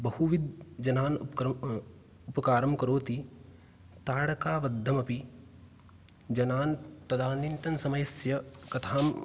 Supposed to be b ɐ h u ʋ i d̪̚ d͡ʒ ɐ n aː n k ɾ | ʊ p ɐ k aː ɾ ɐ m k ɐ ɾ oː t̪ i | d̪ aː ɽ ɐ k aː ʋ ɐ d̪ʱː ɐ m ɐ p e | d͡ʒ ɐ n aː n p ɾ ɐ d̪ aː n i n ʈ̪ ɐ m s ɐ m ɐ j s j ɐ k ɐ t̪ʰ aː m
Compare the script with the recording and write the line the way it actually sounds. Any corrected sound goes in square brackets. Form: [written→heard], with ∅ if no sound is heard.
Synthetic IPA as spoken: b ɐ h u ʋ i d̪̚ d͡ʒ ɐ n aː n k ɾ | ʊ p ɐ k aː ɾ ɐ m k ɐ ɾ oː t̪ i | [d̪→t̪] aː ɽ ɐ k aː ʋ ɐ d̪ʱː ɐ m ɐ p [e→i] | d͡ʒ ɐ n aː n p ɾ ɐ d̪ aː n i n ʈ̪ ɐ [m→n] s ɐ m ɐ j s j ɐ k ɐ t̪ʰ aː m